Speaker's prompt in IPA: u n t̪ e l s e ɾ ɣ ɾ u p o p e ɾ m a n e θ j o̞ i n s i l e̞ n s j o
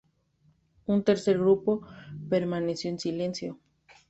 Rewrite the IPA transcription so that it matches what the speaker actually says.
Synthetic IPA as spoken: u n t̪ e ɾ s e ɾ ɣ ɾ u p o p e ɾ m a n e s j o̞ e n s i l e̞ n s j o